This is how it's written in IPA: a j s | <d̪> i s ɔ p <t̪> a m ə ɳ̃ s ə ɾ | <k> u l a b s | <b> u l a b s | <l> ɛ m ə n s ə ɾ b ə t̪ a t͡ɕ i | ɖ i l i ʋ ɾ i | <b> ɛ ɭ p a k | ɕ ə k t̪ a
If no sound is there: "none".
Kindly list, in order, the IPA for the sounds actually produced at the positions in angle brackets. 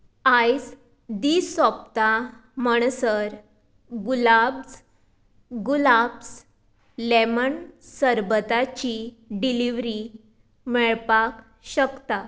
d̪, t̪, ɡ, ɡ, l, m

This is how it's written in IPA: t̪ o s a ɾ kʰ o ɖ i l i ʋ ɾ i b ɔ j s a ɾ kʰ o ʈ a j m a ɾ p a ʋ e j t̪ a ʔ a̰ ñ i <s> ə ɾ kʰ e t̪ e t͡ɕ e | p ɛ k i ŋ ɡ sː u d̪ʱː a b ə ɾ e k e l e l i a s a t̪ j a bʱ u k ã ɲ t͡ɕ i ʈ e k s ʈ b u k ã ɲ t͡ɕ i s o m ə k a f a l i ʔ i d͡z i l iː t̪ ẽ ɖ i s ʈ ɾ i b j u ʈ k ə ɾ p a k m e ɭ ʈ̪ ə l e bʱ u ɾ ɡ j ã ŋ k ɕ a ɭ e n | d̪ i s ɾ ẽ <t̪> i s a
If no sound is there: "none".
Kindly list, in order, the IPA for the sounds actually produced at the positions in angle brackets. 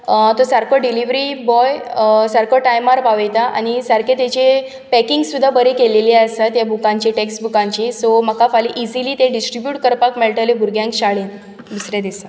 s, d̪

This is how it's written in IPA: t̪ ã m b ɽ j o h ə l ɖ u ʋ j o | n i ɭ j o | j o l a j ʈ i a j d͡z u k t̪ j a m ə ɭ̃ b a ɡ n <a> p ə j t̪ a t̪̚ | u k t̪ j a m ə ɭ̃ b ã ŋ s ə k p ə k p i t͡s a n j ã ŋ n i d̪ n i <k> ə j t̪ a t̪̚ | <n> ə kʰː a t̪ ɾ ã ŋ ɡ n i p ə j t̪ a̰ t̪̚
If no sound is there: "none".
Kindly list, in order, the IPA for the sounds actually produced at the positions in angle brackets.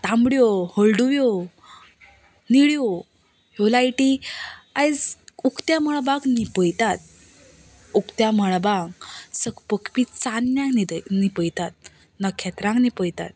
i, p, n

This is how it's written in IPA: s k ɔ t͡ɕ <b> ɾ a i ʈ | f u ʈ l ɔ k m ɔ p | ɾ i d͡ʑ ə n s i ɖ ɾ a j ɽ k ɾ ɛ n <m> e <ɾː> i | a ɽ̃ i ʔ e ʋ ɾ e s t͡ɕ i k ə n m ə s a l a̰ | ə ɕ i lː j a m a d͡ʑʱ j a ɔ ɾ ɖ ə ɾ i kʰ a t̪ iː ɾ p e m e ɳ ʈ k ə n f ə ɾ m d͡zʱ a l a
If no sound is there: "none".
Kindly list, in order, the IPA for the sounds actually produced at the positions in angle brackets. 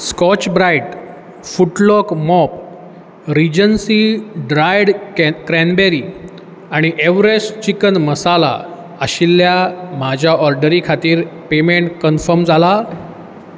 b, b, ɾ

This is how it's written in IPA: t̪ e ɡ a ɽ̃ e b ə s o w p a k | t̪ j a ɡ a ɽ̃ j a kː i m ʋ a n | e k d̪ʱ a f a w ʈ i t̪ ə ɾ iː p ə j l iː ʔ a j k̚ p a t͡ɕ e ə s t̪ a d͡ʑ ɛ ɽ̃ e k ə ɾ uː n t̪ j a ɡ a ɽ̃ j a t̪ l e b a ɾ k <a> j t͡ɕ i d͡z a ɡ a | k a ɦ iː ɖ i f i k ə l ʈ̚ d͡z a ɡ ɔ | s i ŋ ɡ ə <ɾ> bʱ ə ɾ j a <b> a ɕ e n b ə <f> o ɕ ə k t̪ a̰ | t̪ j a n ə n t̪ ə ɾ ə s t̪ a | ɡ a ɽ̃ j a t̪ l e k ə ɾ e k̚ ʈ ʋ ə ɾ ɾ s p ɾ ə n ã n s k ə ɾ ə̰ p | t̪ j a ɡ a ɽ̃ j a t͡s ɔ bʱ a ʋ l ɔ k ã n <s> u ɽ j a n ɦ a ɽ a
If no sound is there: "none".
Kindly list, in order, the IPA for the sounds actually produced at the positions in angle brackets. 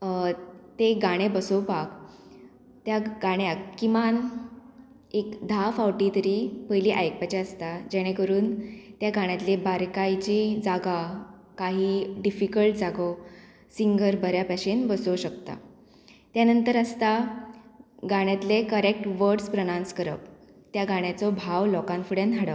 a, ɾ, p, s, f

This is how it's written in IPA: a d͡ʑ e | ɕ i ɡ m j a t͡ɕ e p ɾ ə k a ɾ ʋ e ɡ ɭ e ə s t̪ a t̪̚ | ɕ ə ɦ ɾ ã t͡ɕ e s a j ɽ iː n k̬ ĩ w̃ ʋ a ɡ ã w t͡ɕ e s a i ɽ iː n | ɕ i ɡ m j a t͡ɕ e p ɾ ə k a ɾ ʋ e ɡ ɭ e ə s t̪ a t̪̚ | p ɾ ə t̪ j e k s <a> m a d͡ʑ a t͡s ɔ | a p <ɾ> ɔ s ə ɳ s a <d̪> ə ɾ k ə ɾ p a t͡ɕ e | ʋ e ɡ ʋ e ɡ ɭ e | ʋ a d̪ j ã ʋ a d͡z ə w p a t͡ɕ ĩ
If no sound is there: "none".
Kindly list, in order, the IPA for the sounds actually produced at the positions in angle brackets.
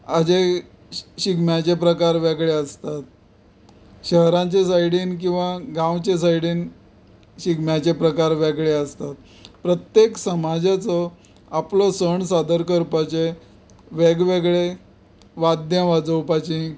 ə, l, d̪

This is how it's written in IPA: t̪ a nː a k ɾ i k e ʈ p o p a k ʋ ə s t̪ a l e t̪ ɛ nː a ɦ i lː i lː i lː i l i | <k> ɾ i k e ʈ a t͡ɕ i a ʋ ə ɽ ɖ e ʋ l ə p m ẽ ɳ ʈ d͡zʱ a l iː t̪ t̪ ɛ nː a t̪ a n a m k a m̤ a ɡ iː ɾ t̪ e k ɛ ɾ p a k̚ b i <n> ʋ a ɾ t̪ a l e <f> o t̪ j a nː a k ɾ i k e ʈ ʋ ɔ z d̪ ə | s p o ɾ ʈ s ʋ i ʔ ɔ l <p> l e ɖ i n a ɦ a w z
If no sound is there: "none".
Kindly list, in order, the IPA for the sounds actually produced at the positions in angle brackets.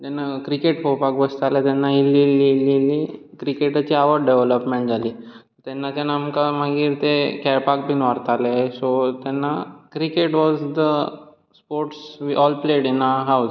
k, n, s, p

